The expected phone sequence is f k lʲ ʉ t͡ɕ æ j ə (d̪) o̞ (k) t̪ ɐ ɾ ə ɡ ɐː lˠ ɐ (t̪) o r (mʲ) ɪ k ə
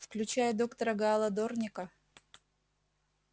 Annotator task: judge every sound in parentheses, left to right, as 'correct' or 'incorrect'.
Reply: correct, correct, incorrect, incorrect

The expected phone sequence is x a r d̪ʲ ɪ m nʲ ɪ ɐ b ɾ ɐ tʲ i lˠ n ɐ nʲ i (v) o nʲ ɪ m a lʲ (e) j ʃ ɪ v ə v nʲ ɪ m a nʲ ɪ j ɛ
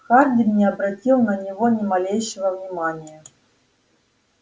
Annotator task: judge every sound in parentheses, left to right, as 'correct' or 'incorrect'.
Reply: correct, correct

